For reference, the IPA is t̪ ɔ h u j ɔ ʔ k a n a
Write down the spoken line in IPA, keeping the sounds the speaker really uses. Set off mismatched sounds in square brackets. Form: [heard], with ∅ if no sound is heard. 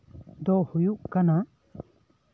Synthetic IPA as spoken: [d̪] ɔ h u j [u] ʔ k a n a